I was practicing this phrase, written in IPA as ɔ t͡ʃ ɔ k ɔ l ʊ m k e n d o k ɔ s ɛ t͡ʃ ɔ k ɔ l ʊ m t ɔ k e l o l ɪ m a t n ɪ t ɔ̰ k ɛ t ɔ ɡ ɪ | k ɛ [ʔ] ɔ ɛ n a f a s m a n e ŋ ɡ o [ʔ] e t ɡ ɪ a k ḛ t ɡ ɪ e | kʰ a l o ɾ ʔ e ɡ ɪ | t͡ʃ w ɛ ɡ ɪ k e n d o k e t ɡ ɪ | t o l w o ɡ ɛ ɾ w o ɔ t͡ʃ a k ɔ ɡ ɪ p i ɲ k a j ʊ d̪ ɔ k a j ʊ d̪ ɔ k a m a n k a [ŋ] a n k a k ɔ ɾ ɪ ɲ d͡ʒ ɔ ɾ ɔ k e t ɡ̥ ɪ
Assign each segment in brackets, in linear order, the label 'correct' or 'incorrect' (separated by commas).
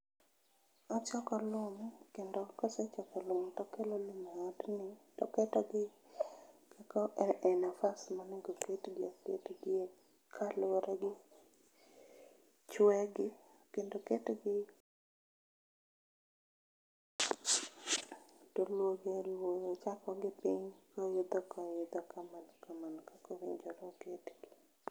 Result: incorrect, incorrect, incorrect